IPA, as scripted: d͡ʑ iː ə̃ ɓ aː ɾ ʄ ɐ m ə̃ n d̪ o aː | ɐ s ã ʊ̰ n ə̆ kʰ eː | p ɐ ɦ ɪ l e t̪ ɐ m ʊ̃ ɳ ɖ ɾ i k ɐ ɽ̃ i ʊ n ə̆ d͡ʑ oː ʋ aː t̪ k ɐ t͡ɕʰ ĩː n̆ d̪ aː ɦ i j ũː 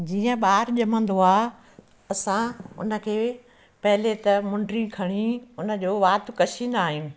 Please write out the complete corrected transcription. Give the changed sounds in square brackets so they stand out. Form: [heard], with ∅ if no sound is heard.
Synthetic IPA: d͡ʑ iː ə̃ ɓ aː ɾ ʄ ɐ m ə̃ n d̪ o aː | ɐ s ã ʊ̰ n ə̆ kʰ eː | p ɐ ɦ ɪ l e t̪ ɐ m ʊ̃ ɳ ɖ ɾ i [kʰ] ɐ ɽ̃ i ʊ n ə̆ d͡ʑ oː ʋ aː t̪ k ɐ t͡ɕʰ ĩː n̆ d̪ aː ɦ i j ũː